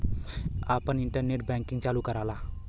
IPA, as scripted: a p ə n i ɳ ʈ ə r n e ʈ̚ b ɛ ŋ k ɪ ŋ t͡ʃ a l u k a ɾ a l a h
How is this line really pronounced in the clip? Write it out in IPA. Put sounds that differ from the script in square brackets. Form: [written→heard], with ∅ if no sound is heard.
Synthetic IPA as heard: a p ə n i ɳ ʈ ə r n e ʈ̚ b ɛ ŋ k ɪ ŋ t͡ʃ a l u k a ɾ a l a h